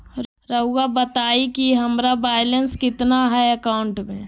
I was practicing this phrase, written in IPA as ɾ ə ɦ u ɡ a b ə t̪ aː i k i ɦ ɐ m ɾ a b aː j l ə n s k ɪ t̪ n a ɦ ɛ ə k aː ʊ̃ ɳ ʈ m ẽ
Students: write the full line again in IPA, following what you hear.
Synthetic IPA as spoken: ɾ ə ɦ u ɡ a b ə t̪ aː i k i ɦ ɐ m ɾ a b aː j l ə n s k ɪ t̪ n a ɦ ɛ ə k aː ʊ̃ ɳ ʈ m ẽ